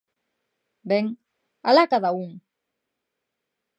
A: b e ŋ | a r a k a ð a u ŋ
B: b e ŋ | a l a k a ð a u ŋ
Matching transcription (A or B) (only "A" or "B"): B